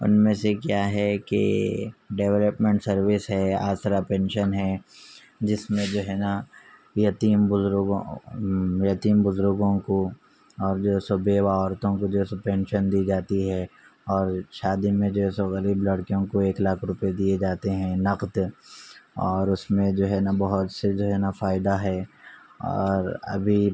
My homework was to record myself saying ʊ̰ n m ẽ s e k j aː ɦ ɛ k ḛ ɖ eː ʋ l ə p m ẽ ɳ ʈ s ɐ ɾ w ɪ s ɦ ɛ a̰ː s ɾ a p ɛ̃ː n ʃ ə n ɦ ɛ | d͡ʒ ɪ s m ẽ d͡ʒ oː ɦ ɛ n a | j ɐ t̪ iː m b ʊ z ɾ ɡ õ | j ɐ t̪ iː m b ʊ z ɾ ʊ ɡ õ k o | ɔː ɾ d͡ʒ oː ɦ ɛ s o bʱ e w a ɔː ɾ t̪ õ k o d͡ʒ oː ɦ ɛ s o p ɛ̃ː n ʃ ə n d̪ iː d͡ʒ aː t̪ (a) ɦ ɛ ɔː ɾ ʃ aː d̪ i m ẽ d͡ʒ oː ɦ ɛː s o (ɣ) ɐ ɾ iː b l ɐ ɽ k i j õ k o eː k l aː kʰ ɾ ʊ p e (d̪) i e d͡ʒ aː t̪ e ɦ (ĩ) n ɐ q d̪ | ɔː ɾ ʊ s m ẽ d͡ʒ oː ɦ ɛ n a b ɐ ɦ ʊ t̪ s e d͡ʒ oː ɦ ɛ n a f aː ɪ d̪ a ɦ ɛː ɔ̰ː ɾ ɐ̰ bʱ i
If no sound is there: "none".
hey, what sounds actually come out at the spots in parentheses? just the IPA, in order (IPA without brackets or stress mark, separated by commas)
i, ɣ, d̪, ɛ̃